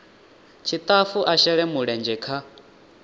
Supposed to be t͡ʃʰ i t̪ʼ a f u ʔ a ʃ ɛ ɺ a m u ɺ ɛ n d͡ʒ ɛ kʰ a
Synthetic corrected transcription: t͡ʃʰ i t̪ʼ a f u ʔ a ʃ ɛ ɺ ɛ m u ɺ ɛ n d͡ʒ ɛ kʰ a